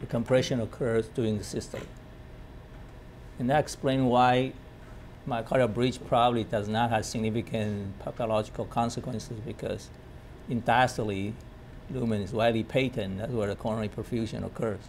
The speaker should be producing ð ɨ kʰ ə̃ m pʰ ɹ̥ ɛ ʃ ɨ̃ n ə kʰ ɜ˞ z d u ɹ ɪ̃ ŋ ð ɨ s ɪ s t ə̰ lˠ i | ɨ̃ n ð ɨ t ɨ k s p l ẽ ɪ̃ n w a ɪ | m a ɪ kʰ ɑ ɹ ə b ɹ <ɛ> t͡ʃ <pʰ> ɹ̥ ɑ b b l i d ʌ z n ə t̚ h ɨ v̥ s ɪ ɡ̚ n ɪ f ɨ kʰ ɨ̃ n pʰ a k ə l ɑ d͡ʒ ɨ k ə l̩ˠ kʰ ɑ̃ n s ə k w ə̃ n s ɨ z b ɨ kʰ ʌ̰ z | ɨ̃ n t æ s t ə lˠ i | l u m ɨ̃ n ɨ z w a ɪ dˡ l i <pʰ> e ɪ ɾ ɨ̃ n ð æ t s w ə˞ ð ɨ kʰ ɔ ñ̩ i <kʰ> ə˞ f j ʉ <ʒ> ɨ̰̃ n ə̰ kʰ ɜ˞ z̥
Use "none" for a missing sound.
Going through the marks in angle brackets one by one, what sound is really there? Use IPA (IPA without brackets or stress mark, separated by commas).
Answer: i, pʰ, pʰ, pʰ, ʒ